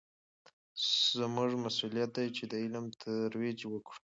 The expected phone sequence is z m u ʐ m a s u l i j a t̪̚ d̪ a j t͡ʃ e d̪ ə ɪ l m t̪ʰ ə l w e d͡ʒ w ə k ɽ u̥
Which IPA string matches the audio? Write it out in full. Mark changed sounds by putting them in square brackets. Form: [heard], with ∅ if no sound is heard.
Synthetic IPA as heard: z m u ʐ m a s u l i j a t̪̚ d̪ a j t͡ʃ e d̪ ə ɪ l m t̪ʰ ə [ɾ] w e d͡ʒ w ə k ɽ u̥